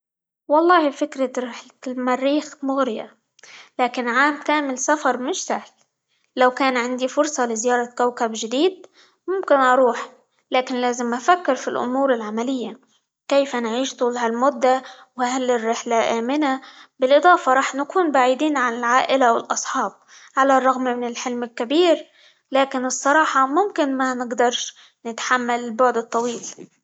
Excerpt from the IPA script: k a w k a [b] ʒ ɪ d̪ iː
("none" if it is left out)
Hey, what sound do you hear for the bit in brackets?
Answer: b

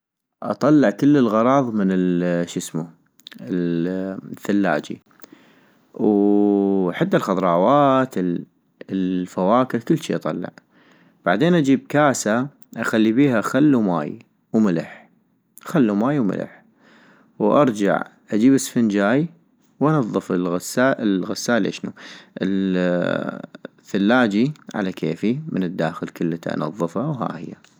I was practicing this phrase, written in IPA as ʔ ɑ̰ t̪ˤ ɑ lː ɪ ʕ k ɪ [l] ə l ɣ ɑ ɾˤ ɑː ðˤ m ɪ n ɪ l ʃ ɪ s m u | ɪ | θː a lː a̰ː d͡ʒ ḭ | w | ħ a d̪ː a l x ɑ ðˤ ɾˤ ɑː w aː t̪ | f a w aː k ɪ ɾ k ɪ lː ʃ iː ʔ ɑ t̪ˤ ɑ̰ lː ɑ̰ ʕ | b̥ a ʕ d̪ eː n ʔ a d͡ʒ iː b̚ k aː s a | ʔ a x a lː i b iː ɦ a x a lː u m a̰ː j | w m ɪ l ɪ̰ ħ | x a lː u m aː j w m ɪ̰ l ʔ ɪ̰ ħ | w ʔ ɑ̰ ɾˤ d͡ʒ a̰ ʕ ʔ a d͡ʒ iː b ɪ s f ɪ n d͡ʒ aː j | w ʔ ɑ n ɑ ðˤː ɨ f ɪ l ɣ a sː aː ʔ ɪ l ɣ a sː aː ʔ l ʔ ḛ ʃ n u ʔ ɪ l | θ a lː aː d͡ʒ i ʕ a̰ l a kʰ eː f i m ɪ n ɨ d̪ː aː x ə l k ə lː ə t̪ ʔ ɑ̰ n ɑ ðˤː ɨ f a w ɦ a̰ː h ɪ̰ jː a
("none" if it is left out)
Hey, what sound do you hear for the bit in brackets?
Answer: lː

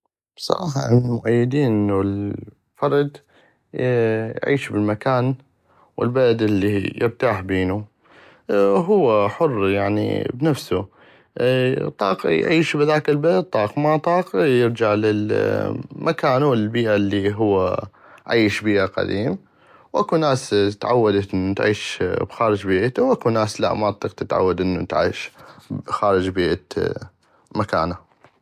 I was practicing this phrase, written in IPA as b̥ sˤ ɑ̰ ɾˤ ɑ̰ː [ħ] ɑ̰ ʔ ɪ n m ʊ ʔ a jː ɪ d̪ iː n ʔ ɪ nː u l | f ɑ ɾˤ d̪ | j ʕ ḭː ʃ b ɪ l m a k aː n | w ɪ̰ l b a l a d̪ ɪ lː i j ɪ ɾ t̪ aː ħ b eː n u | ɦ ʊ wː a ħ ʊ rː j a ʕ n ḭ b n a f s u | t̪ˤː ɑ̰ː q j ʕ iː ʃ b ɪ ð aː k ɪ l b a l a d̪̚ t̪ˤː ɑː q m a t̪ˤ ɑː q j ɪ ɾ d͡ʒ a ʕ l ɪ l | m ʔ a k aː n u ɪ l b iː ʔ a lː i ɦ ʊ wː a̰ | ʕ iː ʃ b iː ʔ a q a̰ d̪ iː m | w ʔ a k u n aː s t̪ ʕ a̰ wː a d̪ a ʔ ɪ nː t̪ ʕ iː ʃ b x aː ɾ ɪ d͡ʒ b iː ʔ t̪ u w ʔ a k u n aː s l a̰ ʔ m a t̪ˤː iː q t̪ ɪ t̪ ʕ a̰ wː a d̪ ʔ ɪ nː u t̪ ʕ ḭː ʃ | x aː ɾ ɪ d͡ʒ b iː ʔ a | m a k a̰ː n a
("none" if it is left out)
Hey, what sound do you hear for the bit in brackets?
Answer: ħ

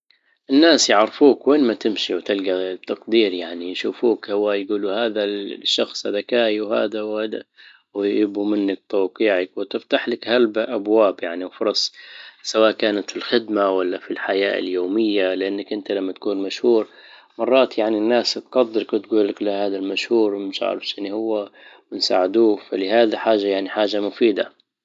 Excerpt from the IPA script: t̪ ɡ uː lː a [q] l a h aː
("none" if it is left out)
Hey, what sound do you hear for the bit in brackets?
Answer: k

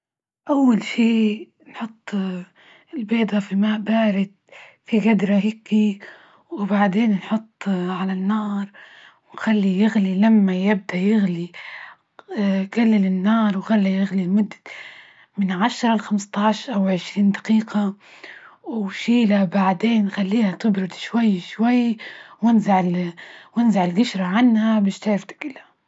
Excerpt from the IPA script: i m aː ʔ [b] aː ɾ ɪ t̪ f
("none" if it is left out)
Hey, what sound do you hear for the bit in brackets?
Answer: b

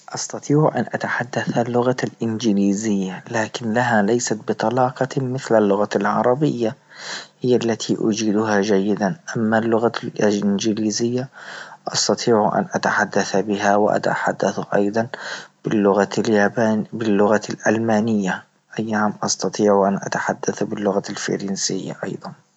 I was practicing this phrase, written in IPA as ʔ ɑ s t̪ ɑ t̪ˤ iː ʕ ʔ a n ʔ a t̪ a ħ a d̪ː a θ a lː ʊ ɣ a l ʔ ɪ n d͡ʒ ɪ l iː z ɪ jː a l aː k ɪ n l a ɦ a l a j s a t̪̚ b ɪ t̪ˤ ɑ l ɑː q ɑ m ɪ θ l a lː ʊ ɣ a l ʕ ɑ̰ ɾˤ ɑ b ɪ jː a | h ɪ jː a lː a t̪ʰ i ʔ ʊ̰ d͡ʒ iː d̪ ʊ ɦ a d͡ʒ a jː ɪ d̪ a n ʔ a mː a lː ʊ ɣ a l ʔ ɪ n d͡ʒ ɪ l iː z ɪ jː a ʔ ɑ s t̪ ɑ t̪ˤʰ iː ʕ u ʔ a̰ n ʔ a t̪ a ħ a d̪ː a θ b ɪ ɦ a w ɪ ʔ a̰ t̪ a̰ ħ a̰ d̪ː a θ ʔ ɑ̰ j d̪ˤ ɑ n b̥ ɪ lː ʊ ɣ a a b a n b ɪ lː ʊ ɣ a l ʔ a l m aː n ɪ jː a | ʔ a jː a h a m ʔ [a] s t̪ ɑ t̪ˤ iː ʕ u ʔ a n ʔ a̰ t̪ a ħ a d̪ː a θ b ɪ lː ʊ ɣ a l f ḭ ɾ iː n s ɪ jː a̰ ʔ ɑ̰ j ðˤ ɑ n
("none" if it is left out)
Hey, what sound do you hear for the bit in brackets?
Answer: ɑ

